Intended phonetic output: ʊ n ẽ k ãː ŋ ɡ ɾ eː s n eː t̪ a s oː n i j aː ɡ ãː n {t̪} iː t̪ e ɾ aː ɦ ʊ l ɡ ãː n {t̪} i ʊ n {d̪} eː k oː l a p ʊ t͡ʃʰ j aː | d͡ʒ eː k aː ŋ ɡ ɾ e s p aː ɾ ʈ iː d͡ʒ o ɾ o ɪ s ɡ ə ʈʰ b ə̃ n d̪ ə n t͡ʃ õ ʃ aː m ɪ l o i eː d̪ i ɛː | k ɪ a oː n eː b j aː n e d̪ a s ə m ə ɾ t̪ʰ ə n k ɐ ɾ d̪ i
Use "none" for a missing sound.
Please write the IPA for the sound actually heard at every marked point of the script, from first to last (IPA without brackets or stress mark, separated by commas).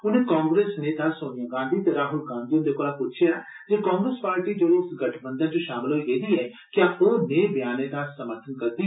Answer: d̪, d̪, d̪